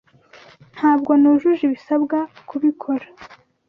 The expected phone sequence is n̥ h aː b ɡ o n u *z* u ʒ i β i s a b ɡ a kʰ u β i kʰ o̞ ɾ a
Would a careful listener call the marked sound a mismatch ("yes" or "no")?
yes